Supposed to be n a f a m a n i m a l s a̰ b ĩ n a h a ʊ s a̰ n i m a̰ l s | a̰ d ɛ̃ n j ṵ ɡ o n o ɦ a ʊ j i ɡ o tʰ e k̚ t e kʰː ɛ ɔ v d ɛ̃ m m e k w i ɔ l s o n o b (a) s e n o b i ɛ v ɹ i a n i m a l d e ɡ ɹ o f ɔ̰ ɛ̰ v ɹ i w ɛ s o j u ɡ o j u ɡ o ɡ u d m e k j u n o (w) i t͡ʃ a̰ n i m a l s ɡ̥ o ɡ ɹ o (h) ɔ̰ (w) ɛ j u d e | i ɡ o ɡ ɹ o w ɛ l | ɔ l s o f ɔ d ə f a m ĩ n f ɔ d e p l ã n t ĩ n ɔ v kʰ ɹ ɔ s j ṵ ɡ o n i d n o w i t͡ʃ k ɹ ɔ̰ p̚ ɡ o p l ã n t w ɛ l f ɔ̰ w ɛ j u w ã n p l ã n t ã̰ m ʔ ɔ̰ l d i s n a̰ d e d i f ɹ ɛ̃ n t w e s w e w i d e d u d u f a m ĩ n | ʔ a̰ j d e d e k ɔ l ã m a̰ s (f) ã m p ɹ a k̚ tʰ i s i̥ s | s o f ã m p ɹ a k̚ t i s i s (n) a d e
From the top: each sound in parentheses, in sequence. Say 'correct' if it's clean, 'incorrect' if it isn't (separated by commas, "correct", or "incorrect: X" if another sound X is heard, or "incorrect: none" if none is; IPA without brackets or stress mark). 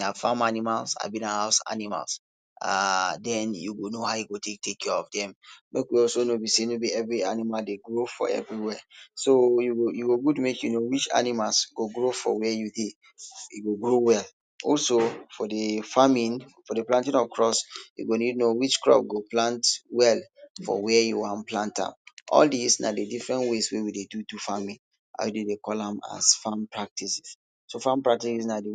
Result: incorrect: i, correct, incorrect: f, correct, correct, correct